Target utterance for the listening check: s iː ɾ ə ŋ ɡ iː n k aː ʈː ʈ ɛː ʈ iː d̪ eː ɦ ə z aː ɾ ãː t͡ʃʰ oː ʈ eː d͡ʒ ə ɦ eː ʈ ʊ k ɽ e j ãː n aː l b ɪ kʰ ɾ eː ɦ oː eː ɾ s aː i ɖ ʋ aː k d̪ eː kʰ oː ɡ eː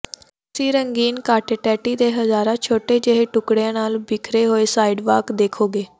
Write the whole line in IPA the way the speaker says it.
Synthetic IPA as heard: s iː ɾ ə ŋ ɡ iː n k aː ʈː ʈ ɛː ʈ iː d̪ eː ɦ ə z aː ɾ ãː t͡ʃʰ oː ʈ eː d͡ʒ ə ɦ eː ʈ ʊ k ɽ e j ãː n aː l b ɪ kʰ ɾ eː ɦ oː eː s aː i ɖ ʋ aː k d̪ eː kʰ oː ɡ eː